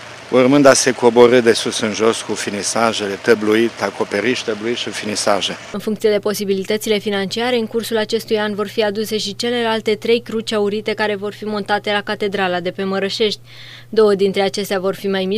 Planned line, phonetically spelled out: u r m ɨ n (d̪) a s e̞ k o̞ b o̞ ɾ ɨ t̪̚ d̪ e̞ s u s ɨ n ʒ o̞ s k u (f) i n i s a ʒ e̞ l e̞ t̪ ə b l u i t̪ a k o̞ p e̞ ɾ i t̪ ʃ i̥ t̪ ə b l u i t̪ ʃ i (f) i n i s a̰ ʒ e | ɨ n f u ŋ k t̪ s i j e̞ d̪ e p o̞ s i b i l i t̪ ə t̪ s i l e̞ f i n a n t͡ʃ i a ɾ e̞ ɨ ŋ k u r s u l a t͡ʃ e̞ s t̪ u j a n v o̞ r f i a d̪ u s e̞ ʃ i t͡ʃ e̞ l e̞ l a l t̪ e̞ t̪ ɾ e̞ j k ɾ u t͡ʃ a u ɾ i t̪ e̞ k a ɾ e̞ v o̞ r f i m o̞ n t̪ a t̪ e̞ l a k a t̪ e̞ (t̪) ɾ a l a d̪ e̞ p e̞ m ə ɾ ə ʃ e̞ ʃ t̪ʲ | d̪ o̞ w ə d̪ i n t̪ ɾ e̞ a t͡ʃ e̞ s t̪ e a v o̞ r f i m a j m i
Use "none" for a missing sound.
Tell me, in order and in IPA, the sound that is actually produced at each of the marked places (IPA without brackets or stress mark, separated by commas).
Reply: d̪, f, f, d̪